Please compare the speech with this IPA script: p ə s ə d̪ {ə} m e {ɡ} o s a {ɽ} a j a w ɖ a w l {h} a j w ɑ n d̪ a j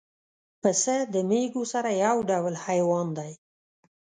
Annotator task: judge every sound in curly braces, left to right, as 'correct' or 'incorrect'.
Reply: correct, correct, incorrect, correct

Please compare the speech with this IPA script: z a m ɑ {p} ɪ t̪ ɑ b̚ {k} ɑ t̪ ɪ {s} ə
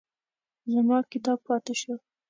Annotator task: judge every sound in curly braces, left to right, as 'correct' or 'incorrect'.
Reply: incorrect, incorrect, incorrect

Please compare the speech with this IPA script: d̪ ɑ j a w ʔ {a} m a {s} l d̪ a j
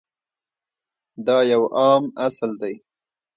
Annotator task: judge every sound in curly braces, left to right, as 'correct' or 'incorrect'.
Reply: incorrect, correct

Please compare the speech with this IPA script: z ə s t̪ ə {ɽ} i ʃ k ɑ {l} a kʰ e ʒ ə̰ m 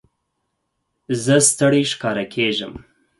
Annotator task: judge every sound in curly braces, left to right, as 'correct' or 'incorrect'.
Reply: correct, incorrect

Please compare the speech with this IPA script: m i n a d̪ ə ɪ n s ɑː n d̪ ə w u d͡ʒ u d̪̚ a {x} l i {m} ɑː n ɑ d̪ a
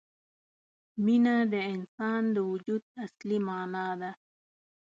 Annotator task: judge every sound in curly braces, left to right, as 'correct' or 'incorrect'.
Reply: incorrect, correct

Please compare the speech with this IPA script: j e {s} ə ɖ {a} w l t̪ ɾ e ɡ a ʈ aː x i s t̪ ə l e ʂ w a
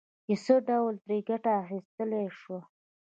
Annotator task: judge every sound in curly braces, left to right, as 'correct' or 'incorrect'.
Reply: correct, correct

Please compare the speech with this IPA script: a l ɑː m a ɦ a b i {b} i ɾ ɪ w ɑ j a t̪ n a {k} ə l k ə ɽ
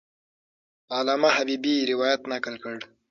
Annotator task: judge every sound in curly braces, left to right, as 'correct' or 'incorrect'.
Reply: correct, correct

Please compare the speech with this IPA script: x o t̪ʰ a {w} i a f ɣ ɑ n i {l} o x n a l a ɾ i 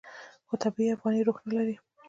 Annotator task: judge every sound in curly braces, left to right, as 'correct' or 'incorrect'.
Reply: incorrect, incorrect

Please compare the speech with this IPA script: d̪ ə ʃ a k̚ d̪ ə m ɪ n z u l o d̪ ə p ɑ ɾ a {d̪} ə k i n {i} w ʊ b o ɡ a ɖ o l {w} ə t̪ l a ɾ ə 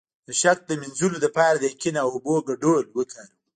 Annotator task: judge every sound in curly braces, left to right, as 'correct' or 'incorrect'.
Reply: correct, incorrect, correct

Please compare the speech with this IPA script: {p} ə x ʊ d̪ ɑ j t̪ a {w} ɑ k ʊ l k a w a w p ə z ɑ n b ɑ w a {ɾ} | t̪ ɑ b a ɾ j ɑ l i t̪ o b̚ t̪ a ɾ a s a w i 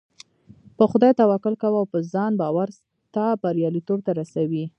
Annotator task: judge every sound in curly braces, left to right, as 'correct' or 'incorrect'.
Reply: correct, correct, correct

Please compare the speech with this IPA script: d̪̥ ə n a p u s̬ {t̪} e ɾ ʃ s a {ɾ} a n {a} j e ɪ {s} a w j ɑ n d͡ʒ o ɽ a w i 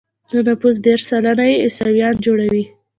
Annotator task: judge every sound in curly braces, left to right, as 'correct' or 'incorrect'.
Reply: incorrect, incorrect, correct, correct

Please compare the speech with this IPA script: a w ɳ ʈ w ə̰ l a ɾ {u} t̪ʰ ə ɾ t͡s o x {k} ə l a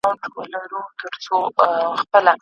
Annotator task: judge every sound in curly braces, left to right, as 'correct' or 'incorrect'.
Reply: correct, incorrect

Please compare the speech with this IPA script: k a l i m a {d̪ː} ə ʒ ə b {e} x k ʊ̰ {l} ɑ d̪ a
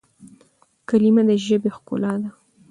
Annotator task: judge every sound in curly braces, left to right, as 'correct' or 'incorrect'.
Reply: incorrect, correct, correct

